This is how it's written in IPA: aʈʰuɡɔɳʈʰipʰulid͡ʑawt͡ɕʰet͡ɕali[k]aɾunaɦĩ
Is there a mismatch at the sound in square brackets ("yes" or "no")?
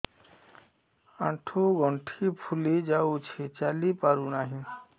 yes